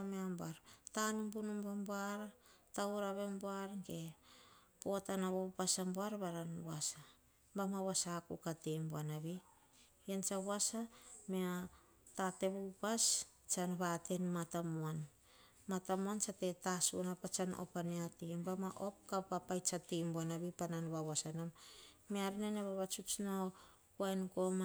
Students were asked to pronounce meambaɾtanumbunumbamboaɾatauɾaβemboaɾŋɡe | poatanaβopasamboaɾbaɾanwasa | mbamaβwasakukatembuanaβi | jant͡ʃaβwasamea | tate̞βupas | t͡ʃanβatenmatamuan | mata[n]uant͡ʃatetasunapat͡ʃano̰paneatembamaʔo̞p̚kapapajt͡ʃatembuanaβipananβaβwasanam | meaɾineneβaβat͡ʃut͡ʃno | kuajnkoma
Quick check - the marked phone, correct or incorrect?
incorrect